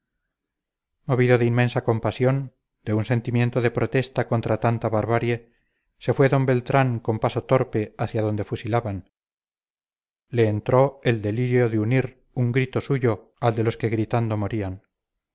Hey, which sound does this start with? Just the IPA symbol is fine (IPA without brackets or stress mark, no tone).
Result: m